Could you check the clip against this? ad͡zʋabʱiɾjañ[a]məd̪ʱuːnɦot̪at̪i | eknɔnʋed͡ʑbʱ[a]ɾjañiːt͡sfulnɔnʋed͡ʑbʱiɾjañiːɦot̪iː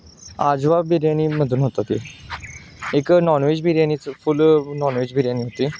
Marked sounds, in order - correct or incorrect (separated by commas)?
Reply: incorrect, incorrect